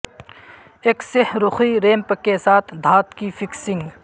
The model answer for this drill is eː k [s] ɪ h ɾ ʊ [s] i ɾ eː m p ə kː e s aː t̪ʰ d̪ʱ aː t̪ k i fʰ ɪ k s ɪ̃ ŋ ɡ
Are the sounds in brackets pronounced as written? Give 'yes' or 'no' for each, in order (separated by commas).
yes, no